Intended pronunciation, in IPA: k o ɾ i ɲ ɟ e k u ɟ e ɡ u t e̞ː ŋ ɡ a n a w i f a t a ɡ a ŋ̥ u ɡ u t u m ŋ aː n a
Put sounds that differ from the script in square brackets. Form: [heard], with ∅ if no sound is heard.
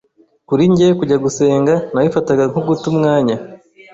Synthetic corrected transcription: k [u] ɾ i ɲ ɟ e k u ɟ [a] ɡ u [s] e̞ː ŋ ɡ a n a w i f a t a ɡ a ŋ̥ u ɡ u t u m ŋ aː [ɲ] a